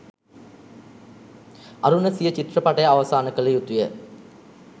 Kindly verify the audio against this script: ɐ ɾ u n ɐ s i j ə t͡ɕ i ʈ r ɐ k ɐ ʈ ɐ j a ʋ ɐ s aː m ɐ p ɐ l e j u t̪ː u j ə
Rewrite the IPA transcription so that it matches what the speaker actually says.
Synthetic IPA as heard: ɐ ɾ u n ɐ s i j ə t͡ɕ i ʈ r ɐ p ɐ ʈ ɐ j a ʋ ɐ s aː n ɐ k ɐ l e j u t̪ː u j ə